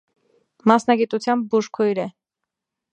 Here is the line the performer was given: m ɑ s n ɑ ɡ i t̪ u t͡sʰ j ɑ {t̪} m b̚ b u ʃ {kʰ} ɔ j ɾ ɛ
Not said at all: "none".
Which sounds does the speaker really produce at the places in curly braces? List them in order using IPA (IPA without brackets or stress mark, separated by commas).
none, kʰ